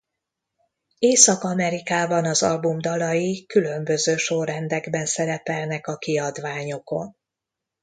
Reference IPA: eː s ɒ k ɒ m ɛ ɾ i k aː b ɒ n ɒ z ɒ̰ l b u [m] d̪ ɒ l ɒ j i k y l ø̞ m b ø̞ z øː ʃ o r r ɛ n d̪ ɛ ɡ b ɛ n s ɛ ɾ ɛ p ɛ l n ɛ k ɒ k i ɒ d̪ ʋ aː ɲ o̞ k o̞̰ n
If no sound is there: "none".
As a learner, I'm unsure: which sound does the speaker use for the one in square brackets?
m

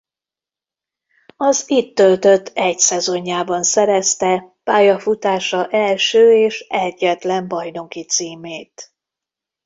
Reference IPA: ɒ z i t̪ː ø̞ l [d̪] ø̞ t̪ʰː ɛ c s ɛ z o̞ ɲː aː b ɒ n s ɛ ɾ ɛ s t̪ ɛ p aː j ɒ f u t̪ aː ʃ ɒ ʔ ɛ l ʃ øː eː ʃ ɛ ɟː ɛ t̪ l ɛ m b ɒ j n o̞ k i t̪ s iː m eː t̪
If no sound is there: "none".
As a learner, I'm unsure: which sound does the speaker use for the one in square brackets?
t̪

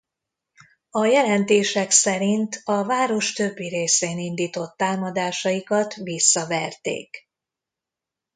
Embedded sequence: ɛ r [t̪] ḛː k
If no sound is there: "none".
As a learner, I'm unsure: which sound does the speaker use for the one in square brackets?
t̪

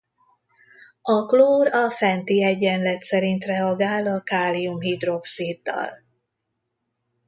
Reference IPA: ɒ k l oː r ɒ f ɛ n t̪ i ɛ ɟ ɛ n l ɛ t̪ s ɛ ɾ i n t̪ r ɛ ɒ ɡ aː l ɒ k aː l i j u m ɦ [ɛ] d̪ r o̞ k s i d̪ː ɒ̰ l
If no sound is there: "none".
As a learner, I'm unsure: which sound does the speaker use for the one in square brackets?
i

